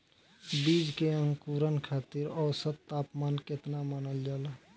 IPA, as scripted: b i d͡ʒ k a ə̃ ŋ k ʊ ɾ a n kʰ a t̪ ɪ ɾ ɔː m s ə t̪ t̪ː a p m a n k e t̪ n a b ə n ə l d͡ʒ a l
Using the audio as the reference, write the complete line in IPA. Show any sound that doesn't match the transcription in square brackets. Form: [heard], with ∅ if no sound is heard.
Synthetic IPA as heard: b i d͡ʒ k [e] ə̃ ŋ k [u] ɾ [ə] n kʰ a t̪ [i] ɾ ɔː [∅] s ə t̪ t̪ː a p m a n k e t̪ n a [m] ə n ə l d͡ʒ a l